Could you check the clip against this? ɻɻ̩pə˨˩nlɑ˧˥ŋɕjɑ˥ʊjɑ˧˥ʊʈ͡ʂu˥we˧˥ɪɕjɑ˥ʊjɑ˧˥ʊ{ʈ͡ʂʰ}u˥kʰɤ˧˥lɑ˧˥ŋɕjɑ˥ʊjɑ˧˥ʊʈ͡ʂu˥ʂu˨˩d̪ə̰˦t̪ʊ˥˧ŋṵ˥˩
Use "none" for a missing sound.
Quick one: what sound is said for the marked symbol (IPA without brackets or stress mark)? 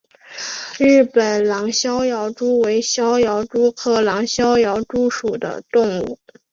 ʈ͡ʂ